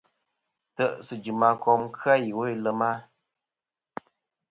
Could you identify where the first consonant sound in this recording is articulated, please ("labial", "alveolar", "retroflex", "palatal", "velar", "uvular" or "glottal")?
alveolar